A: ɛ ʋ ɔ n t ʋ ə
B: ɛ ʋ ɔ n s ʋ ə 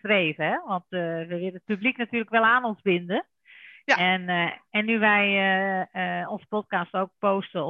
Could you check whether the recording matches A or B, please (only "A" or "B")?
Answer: A